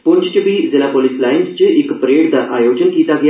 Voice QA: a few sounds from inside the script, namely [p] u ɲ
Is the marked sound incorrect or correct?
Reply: correct